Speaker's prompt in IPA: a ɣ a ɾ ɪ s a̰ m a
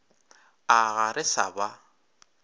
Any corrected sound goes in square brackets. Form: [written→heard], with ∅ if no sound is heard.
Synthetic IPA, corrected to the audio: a ɣ a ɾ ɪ s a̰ [m→b] a